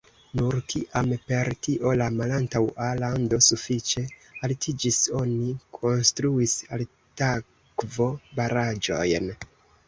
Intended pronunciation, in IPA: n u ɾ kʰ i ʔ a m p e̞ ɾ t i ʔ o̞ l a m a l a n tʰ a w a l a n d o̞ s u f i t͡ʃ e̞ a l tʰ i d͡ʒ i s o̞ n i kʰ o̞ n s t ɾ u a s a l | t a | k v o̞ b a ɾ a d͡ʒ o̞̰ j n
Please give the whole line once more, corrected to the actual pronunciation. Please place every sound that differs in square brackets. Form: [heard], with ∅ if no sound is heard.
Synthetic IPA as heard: n u ɾ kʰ i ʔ a m p e̞ ɾ t i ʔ o̞ l a m a l a n [t] a w a l a n d o̞ s u f i t͡ʃ e̞ a l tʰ i d͡ʒ i s o̞ n i kʰ o̞ n s t ɾ u [i] s a l | t a | k v o̞ b a ɾ a d͡ʒ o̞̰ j n